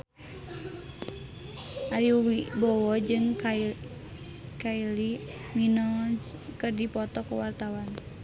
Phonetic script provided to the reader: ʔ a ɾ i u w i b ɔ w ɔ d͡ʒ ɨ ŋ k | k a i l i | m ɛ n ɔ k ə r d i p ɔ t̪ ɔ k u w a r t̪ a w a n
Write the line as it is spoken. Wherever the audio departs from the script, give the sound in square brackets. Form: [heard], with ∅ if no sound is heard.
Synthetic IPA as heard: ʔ a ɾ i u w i b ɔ w ɔ d͡ʒ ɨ ŋ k | k a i l i | m [i] n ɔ k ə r d i p ɔ t̪ ɔ k u w a r t̪ a w a n